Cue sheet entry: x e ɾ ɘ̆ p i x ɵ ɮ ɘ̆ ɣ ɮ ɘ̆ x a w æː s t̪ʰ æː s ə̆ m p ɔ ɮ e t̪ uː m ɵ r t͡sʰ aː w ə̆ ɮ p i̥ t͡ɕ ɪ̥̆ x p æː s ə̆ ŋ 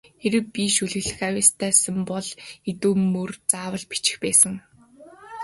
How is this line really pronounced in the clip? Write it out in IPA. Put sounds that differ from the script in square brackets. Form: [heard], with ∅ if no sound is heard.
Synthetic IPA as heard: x e ɾ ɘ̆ p i [ʃ] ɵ ɮ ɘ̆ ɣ ɮ ɘ̆ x a w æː s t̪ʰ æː s ə̆ m p ɔ ɮ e t̪ uː m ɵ r [t͡s] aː w ə̆ ɮ p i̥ t͡ɕ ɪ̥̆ x p æː s ə̆ ŋ